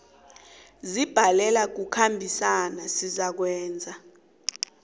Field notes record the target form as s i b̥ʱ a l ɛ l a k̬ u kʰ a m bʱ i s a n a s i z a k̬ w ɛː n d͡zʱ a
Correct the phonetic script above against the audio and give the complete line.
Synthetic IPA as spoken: z i b̥ʱ a l ɛ l a k̬ u kʰ a m bʱ i s a n a s i z a k̬ w ɛː n d͡zʱ a